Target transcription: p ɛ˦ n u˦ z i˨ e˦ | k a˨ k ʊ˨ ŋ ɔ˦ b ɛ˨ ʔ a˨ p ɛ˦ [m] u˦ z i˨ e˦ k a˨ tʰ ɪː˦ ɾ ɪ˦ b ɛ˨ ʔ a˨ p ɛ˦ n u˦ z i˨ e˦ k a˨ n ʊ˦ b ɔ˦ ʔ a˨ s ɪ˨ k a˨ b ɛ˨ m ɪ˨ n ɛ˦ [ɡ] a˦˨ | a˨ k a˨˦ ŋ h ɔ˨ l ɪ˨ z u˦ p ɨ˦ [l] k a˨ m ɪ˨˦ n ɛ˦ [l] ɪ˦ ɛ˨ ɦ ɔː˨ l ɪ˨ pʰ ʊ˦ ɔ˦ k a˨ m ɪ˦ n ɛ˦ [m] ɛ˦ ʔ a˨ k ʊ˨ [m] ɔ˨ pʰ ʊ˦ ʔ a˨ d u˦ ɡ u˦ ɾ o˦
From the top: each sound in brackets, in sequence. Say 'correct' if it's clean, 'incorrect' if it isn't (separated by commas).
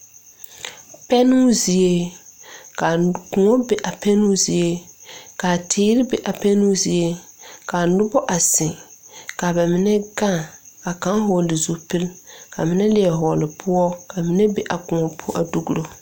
incorrect, correct, correct, correct, incorrect, incorrect